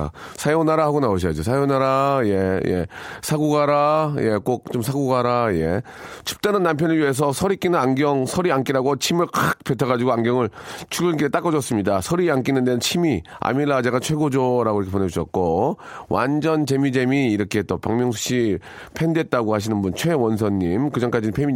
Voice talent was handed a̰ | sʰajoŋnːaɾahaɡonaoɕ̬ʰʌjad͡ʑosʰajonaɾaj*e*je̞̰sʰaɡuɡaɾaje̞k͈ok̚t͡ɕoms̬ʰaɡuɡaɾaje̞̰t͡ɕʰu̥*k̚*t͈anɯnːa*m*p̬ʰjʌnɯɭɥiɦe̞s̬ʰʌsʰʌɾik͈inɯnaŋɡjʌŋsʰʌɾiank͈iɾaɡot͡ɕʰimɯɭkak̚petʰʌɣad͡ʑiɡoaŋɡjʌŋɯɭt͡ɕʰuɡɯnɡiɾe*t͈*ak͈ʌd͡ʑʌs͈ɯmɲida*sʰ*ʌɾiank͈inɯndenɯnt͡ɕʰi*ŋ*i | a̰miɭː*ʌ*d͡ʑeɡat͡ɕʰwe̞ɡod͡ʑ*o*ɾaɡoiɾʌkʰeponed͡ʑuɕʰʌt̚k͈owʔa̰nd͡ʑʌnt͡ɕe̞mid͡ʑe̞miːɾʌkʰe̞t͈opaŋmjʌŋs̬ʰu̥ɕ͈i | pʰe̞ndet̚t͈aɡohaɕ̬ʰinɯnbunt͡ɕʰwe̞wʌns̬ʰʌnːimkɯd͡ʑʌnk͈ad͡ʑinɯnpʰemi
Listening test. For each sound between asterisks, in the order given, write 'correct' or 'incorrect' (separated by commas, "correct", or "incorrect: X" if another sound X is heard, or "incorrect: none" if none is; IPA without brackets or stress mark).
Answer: correct, incorrect: p̚, correct, correct, correct, incorrect: m, incorrect: a, correct